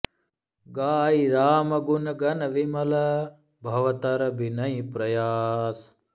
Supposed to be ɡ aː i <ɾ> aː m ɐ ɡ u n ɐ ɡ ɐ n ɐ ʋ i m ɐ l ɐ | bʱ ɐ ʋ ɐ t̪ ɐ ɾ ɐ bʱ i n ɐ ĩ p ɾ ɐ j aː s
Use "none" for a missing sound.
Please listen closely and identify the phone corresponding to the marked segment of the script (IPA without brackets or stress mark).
ɾ